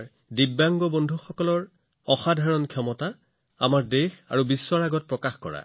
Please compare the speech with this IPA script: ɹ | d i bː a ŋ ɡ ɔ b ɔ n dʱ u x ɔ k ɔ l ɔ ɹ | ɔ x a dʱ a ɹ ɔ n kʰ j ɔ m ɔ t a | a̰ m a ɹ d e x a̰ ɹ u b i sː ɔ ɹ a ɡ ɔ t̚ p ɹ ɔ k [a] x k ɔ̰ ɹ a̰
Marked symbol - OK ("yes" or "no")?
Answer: yes